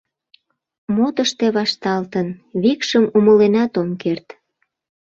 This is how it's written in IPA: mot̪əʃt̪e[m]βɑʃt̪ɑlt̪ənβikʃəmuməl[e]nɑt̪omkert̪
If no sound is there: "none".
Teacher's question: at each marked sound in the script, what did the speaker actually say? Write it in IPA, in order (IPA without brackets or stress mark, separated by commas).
none, e